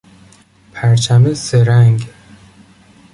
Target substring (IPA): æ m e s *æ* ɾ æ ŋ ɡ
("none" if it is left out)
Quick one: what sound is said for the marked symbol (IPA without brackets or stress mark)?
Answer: e